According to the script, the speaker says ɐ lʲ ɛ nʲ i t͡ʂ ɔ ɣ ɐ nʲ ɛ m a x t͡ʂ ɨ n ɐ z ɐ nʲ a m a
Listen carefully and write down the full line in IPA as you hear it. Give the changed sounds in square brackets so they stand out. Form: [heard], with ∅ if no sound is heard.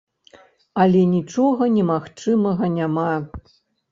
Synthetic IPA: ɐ lʲ ɛ nʲ i t͡ʂ ɔ ɣ ɐ nʲ ɛ m a x t͡ʂ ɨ [m] ɐ [ɣ] ɐ nʲ a m a

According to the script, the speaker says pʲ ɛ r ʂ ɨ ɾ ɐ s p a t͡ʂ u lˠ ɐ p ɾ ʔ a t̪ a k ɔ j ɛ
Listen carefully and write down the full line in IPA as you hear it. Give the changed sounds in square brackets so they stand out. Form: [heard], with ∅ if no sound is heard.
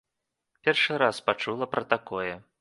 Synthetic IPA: pʲ ɛ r ʂ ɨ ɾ [a] s p a t͡ʂ u lˠ ɐ p ɾ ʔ [ɐ] t̪ a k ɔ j ɛ

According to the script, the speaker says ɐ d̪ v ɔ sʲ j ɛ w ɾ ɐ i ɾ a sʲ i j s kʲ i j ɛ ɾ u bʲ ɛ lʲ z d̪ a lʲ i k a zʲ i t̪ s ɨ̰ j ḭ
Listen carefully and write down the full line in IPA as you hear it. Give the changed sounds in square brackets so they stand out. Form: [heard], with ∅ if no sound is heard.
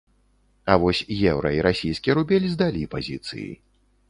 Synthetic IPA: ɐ [∅] v ɔ sʲ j ɛ w ɾ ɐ i ɾ a sʲ i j s kʲ i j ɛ ɾ u bʲ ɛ lʲ z d̪ a lʲ i [p] a zʲ i t̪ s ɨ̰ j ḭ

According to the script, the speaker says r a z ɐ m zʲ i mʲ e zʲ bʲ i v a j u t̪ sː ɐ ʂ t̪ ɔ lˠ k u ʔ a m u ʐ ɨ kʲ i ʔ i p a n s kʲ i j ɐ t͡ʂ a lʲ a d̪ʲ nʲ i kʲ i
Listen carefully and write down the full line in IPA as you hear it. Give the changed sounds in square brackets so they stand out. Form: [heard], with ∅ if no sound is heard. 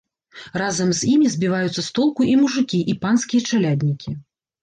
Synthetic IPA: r a z ɐ m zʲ i mʲ [i] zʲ bʲ i v a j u t̪ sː ɐ [s] t̪ ɔ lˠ k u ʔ [i] m u ʐ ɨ kʲ i ʔ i p a n s kʲ i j ɐ t͡ʂ a lʲ a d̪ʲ nʲ i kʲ i

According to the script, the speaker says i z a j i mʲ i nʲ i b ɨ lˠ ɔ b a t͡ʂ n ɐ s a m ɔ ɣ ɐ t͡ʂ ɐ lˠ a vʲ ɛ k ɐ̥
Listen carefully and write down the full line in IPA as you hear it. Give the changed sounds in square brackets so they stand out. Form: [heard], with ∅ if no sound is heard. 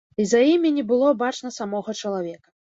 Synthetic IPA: i z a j i mʲ i nʲ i b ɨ lˠ ɔ b a t͡ʂ n ɐ s a m ɔ ɣ ɐ t͡ʂ ɐ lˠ a vʲ ɛ k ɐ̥

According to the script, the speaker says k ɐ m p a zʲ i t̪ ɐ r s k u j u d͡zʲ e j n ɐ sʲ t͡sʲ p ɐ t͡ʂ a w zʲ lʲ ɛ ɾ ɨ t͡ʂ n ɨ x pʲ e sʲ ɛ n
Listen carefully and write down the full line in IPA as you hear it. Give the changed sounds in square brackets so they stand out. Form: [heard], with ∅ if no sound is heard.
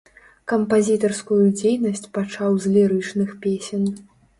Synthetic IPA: k ɐ m p a zʲ i t̪ ɐ r s k u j u d͡zʲ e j n ɐ sʲ t͡sʲ p [a] t͡ʂ a w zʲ lʲ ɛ ɾ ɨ t͡ʂ n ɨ x pʲ e sʲ ɛ n

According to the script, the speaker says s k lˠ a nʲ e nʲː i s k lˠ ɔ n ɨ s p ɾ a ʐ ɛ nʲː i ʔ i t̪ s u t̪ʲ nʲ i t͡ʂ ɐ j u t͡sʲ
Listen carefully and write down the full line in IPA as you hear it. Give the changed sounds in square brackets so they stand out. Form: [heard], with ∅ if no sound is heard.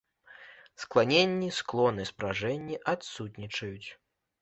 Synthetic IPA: s k lˠ a nʲ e nʲː i s k lˠ ɔ n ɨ s p ɾ a ʐ ɛ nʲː i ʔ [a] t̪ s u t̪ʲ nʲ i t͡ʂ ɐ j u t͡sʲ

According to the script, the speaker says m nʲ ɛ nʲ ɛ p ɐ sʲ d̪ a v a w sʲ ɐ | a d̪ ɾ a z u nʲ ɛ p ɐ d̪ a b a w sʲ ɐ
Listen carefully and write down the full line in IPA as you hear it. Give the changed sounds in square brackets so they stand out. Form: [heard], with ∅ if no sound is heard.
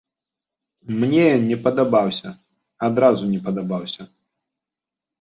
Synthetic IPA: m nʲ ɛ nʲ ɛ p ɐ [∅] d̪ a [b] a w sʲ ɐ | a d̪ ɾ a z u nʲ ɛ p ɐ d̪ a b a w sʲ ɐ

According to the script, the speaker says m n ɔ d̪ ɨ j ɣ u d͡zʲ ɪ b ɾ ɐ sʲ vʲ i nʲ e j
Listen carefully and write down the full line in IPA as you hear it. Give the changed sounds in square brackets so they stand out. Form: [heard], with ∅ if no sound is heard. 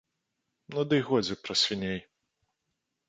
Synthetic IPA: m n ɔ d̪ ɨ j ɣ [ɔ] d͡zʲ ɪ [p] ɾ ɐ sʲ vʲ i nʲ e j

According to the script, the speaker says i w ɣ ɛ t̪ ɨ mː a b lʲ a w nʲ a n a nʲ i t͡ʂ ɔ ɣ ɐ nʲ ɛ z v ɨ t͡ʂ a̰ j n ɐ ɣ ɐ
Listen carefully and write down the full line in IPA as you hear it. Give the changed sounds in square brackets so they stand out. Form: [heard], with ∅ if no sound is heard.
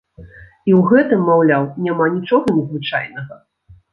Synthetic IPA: i w ɣ ɛ t̪ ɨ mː a [w] lʲ a w nʲ a [m] a nʲ i t͡ʂ ɔ ɣ ɐ nʲ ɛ z v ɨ t͡ʂ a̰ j n ɐ ɣ ɐ

